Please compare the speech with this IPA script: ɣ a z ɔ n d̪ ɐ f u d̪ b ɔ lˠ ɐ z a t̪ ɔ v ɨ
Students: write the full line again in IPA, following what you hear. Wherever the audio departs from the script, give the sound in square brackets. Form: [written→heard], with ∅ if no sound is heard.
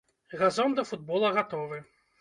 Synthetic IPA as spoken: ɣ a z ɔ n d̪ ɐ f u d̪ b ɔ lˠ ɐ [z→ɣ] a t̪ ɔ v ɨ